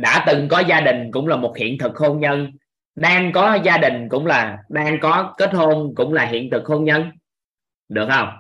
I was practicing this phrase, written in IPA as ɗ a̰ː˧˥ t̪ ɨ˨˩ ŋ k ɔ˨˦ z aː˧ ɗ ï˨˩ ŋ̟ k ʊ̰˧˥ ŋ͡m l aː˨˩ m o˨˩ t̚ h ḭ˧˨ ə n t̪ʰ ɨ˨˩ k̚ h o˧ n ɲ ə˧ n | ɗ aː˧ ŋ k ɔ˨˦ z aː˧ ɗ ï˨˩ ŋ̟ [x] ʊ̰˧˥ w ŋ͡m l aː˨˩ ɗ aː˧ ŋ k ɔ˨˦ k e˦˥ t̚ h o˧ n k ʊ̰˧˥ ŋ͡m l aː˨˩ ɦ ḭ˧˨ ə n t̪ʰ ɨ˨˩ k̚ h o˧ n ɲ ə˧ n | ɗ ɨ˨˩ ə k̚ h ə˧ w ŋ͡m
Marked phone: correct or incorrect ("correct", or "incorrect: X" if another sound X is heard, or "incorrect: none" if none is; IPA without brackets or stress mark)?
incorrect: k